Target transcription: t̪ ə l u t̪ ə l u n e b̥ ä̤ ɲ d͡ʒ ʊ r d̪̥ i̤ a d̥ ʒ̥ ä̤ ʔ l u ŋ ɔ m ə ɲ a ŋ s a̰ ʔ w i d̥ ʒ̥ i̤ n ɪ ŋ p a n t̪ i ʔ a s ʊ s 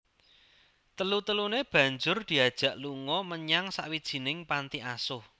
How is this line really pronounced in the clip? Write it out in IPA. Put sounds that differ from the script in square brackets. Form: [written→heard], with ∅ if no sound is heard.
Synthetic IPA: t̪ ə l u t̪ ə l u n e b̥ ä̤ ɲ d͡ʒ ʊ r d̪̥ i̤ a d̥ ʒ̥ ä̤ ʔ l u ŋ ɔ m ə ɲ a ŋ s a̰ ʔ w i d̥ ʒ̥ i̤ n ɪ ŋ p a n t̪ i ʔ a s ʊ [s→h]